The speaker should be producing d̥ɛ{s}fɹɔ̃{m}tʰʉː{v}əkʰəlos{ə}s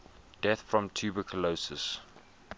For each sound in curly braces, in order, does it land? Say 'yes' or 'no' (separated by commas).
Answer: no, yes, no, yes